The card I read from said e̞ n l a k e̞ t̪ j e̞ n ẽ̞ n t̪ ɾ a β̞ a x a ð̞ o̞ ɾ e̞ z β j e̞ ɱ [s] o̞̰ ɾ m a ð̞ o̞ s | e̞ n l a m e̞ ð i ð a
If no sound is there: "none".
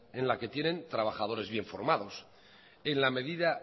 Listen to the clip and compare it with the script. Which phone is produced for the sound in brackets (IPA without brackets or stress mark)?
f